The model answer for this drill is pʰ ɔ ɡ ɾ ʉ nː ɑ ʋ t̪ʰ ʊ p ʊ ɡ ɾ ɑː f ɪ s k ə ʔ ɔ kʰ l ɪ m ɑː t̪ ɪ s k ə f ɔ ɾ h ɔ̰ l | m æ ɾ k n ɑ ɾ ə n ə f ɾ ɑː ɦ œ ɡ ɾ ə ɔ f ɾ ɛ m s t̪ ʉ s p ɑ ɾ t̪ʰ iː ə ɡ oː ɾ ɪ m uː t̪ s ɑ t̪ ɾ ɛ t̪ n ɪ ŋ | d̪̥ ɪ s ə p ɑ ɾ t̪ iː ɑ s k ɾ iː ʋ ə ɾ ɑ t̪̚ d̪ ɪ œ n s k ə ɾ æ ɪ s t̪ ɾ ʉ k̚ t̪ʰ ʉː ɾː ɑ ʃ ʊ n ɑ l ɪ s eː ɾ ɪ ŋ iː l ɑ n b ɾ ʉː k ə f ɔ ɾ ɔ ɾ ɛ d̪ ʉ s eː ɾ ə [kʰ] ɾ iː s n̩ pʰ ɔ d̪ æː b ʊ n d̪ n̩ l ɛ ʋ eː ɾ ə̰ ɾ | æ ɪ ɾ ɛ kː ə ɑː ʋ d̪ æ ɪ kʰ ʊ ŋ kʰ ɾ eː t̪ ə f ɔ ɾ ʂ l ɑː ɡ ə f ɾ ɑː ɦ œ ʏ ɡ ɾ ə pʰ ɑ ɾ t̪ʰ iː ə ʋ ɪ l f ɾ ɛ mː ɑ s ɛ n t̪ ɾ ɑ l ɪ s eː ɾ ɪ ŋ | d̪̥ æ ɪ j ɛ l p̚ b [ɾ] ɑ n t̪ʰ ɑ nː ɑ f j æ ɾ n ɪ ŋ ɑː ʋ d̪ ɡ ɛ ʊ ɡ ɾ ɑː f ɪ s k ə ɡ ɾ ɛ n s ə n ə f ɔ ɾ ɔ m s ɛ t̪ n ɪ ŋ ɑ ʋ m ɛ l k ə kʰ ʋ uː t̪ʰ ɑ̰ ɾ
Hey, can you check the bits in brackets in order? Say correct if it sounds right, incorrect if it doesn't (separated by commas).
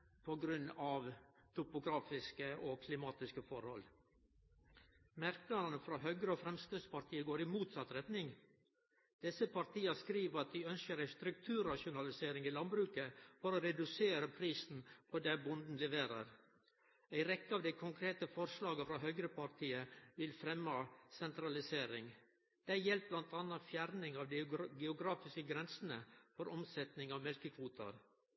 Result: incorrect, incorrect